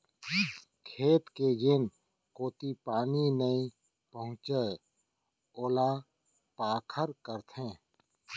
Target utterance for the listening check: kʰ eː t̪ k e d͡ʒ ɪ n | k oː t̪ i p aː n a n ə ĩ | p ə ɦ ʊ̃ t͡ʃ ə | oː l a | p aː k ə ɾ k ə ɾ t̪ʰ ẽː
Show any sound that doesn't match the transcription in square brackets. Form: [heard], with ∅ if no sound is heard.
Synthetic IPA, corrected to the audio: kʰ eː t̪ k e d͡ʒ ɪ n | k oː t̪ i p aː n [i] n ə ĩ | p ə ɦ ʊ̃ t͡ʃ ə | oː l a | p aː [kʰ] ə ɾ k ə ɾ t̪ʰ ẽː